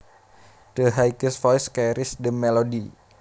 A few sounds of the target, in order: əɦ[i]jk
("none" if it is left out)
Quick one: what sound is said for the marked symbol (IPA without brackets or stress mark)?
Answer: a